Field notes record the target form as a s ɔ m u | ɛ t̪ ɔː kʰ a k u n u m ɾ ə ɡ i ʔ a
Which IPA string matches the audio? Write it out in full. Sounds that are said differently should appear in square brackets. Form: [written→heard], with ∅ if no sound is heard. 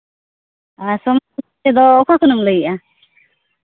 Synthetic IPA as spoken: a s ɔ m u | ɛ [t̪→d̪] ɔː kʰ a k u n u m [ɾ→l] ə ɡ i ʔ a